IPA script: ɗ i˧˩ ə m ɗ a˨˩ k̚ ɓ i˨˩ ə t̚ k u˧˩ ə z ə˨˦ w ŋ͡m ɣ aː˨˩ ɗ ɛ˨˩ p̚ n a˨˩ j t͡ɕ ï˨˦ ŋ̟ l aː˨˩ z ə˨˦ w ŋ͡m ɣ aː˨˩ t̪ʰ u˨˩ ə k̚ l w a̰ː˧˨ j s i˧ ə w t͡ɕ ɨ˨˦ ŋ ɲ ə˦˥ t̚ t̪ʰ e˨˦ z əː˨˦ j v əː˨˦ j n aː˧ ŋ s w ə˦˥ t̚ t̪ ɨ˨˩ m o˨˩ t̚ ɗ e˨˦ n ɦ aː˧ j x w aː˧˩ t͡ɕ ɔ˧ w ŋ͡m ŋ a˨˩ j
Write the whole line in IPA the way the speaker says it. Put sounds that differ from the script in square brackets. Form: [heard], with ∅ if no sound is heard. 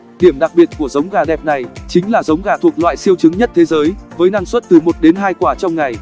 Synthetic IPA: ɗ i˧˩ ə m ɗ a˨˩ k̚ ɓ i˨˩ ə t̚ k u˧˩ ə z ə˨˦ w ŋ͡m ɣ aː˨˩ ɗ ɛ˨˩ p̚ n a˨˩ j t͡ɕ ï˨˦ ŋ̟ l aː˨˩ z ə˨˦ w ŋ͡m ɣ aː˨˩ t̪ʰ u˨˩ ə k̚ l w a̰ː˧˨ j s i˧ ə w t͡ɕ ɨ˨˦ ŋ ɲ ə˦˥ t̚ t̪ʰ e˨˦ z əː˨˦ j v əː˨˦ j n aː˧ ŋ s w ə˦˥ t̚ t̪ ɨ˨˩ m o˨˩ t̚ ɗ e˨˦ n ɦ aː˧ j [k] w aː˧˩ t͡ɕ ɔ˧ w ŋ͡m ŋ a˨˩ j